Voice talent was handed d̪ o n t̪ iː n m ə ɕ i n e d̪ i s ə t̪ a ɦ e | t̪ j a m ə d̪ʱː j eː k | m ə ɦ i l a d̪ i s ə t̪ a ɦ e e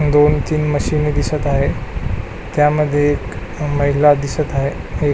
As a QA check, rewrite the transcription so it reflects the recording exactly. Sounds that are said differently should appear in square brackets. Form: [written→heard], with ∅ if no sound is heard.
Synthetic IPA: d̪ o n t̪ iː n m ə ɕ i n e d̪ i s ə t̪ a ɦ e | t̪ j a m ə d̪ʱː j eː k | m ə ɦ i l a d̪ i s ə t̪ a ɦ e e